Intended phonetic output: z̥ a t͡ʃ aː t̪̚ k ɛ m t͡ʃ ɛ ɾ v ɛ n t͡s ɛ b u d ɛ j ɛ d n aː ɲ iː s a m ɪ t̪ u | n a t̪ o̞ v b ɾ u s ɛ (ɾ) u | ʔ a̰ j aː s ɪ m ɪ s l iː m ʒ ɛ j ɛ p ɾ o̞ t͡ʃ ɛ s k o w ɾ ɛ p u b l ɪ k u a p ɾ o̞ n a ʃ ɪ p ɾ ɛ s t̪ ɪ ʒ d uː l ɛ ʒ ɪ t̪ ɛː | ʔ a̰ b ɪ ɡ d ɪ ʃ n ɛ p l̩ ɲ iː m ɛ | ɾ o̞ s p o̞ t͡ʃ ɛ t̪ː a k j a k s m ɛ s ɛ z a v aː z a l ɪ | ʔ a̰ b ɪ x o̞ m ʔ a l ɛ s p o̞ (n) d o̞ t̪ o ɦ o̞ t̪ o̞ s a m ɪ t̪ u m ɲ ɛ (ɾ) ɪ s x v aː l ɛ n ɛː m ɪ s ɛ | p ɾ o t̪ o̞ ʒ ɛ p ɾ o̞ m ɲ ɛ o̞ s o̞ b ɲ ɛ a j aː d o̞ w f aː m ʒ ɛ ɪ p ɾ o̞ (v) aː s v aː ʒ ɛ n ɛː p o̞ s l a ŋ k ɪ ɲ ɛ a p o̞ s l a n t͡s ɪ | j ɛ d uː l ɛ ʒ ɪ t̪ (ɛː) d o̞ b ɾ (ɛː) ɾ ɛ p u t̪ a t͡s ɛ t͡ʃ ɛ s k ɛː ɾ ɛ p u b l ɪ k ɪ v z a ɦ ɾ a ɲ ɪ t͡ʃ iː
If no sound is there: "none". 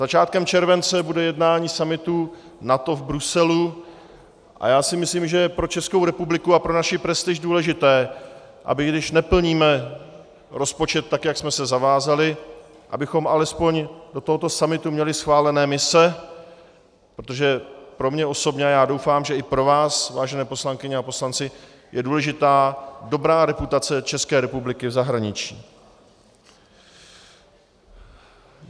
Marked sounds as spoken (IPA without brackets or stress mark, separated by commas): l, ɲ, l, v, aː, aː